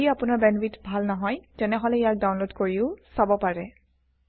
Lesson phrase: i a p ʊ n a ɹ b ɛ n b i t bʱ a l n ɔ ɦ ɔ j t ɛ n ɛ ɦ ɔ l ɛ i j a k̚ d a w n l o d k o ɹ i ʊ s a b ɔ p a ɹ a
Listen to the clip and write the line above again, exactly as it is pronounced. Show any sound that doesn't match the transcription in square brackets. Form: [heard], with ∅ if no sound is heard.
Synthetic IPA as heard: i a p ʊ n a ɹ b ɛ n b i t bʱ a l n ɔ ɦ ɔ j t ɛ n ɛ ɦ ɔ l ɛ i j a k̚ d a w n l o d k o ɹ i ʊ s a b ɔ p a ɹ [ɛ]

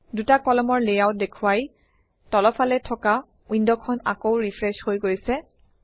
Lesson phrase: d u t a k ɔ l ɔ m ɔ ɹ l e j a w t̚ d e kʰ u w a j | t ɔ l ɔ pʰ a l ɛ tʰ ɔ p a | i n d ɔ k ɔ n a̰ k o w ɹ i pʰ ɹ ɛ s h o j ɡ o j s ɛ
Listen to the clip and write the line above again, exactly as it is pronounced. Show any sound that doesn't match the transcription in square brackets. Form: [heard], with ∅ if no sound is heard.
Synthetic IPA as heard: d u t a k ɔ l ɔ m ɔ ɹ l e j a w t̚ d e kʰ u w a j | t ɔ l ɔ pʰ a l ɛ tʰ ɔ [k] a | i n d ɔ [kʰ] ɔ n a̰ k o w ɹ i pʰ ɹ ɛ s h o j ɡ o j s ɛ

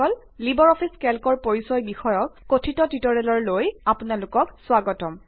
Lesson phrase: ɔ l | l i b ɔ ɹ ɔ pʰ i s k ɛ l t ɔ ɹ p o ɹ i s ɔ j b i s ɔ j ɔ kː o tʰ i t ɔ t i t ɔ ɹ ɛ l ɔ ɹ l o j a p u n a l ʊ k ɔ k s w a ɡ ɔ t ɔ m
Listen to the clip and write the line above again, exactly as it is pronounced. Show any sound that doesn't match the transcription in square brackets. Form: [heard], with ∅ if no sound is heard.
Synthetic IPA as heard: ɔ l | l i b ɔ ɹ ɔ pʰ i s k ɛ l [k] ɔ ɹ p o ɹ i s ɔ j b i [x] ɔ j ɔ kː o tʰ i t ɔ t i t ɔ ɹ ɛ l ɔ ɹ l o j a p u n a l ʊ k ɔ k s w a ɡ ɔ t ɔ m

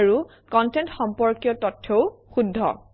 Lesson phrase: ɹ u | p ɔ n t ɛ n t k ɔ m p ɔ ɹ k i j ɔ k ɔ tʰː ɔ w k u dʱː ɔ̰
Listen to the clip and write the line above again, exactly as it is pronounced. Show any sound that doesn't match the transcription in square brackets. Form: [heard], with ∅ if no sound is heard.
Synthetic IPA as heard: ɹ u | [k] ɔ n t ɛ n t [x] ɔ m p ɔ ɹ k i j ɔ [t] ɔ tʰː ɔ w [x] u dʱː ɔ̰

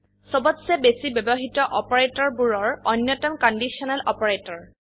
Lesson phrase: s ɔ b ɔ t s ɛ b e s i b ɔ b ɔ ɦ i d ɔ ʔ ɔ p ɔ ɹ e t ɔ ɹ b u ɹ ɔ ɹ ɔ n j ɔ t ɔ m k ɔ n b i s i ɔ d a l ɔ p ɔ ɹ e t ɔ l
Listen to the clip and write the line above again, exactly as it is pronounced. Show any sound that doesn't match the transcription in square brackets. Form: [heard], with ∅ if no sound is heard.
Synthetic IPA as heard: s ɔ b ɔ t s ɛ b e s i b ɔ b ɔ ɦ i [t] ɔ ʔ ɔ p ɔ ɹ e t ɔ ɹ b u ɹ ɔ ɹ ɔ n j ɔ t ɔ m k ɔ n [d] i s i ɔ [n] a l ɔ p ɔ ɹ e t ɔ [ɹ]

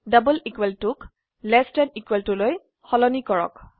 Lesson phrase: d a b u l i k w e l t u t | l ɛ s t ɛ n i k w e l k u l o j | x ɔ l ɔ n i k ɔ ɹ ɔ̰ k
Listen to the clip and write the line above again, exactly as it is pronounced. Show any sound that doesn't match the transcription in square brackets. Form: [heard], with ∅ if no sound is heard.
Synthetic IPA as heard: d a b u l i k w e l t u [k] | l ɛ s t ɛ n i k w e l [t] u l o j | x ɔ l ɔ n i k ɔ ɹ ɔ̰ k

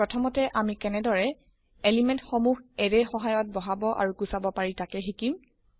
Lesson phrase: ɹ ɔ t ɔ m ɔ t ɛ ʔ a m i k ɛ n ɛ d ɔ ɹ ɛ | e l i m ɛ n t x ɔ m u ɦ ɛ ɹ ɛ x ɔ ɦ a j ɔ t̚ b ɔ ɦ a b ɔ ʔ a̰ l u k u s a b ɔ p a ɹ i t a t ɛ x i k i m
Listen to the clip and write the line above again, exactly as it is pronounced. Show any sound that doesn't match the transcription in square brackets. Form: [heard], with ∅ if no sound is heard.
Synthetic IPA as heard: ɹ ɔ [tʰ] ɔ m ɔ t ɛ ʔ a m i k ɛ n ɛ d ɔ ɹ ɛ | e l i m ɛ n t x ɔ m u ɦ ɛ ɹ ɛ x ɔ ɦ a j ɔ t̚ b ɔ ɦ a b ɔ ʔ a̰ [ɹ] u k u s a b ɔ p a ɹ i t a [k] ɛ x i k i m

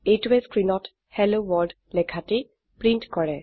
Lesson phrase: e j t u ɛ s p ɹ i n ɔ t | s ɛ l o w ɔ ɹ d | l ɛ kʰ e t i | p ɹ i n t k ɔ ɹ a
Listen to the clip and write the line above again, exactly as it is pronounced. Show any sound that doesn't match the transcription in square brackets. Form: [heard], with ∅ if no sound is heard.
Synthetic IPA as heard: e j t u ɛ s [k] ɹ i n ɔ t | [h] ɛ l o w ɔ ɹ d | l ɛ kʰ [a] t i | p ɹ i n t k ɔ ɹ [ɛ]

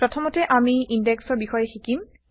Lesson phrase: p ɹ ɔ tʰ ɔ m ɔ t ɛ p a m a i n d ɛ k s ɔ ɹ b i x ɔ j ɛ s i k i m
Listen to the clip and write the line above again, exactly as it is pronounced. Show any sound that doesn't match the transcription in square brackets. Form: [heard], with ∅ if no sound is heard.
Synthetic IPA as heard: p ɹ ɔ tʰ ɔ m ɔ t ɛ [ʔ] a m [i] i n d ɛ k s ɔ ɹ b i x ɔ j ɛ [x] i k i m

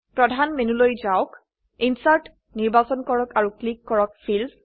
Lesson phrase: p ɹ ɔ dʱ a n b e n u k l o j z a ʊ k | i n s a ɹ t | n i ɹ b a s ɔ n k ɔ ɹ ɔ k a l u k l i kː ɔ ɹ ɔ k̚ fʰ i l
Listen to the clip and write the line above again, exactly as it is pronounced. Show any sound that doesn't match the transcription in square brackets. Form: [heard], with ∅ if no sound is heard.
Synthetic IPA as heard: p ɹ ɔ dʱ a n [m] e n u [∅] l o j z a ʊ k | i n s a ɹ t | n i ɹ b a s ɔ n k ɔ ɹ ɔ k a [ɹ] u k l i kː ɔ ɹ ɔ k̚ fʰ i l

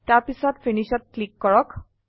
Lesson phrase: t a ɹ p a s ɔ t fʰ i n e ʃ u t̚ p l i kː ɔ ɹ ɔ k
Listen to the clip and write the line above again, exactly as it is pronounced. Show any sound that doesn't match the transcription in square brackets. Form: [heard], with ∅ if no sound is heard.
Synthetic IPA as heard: t a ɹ p [i] s ɔ t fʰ i n [i] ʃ [ɔ] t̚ [k] l i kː ɔ ɹ ɔ k

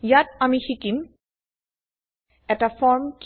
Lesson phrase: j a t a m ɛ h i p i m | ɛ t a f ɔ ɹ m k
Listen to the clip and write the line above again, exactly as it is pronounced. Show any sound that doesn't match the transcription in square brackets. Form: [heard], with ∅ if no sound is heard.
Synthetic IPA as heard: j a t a m [i] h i [k] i m | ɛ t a f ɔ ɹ m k

